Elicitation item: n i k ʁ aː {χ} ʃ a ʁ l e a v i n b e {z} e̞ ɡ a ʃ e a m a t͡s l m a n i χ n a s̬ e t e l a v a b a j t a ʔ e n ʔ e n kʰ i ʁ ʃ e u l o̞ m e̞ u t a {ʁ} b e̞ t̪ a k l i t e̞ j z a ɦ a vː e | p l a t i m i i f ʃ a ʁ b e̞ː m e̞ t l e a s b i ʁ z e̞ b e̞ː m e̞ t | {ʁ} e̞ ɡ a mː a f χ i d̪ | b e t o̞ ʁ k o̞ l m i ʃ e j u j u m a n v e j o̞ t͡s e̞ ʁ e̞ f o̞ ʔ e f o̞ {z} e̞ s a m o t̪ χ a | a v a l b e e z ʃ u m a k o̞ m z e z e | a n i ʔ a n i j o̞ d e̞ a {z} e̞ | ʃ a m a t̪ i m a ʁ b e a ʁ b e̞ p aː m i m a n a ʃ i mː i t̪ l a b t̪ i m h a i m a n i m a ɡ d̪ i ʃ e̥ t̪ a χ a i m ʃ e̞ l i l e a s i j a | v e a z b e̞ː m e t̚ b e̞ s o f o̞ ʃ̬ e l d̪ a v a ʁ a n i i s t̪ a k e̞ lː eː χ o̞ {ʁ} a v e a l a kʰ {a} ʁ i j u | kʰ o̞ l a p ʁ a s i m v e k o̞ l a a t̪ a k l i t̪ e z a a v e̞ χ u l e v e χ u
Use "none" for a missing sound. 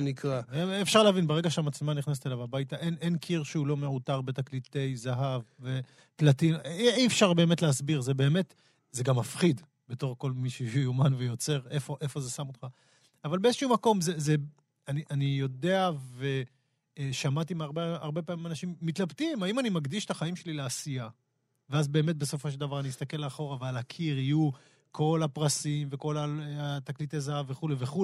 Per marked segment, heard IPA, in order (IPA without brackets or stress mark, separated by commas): f, ʁ, ʁ, z, z, v, ʁ, i